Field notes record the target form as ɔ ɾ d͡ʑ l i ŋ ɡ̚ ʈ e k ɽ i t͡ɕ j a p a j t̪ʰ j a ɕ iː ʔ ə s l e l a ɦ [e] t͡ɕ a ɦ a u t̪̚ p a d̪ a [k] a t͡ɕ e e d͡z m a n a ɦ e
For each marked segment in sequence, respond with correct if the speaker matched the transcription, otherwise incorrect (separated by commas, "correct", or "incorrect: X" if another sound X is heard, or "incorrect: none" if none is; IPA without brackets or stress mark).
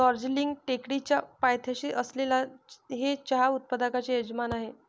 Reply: correct, correct